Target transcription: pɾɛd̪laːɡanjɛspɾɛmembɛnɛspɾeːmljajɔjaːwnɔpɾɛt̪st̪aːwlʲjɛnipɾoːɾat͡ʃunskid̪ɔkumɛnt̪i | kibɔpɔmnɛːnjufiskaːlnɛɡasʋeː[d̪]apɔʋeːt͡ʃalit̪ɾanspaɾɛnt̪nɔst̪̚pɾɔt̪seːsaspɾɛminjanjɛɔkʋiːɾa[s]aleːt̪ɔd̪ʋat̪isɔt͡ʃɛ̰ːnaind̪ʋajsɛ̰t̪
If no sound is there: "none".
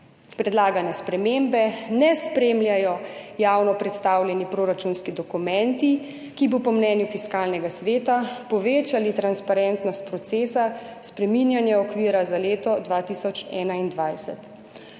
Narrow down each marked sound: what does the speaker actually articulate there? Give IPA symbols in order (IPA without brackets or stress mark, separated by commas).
t̪, z